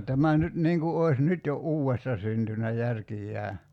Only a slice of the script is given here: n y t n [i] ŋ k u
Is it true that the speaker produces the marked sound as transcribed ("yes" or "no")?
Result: no